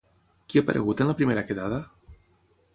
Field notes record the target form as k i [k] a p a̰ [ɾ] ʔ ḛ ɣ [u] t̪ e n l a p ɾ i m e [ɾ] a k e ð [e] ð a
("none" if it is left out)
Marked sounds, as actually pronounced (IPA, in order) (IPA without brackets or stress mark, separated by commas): none, ɾ, u, ɾ, a